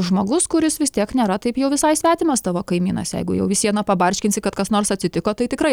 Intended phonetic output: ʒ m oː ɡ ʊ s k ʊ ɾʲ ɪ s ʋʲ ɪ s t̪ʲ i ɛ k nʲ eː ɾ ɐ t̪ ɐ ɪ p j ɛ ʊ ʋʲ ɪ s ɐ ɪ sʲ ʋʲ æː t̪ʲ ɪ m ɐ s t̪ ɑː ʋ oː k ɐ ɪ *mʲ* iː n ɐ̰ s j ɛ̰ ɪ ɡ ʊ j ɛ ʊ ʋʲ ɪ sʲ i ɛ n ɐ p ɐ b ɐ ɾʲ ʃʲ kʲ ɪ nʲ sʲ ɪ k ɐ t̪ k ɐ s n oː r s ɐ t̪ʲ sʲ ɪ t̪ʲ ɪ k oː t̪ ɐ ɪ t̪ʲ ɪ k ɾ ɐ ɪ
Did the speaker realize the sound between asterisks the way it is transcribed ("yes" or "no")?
yes